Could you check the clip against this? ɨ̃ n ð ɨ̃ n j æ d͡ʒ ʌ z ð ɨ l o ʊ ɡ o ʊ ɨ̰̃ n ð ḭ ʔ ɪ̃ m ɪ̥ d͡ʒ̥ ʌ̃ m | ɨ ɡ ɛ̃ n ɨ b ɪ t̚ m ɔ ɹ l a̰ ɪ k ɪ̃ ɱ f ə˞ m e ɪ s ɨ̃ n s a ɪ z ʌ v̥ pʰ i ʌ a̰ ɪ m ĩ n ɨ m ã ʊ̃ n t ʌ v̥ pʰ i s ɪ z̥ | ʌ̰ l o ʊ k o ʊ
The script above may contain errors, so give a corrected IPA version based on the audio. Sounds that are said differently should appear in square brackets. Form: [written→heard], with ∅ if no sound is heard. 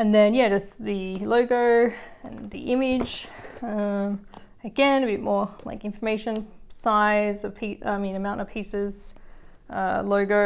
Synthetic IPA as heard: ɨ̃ n ð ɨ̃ n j æ d͡ʒ ʌ [z→s] ð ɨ l o ʊ ɡ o ʊ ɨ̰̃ n ð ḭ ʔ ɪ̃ m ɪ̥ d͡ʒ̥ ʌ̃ m | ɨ ɡ ɛ̃ n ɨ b ɪ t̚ m ɔ ɹ l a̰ ɪ k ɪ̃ ɱ f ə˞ m e ɪ [s→ʃ] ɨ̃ n s a ɪ z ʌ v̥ pʰ i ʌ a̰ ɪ m ĩ n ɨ m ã ʊ̃ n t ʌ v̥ pʰ i s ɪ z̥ | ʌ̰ l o ʊ [k→ɡ] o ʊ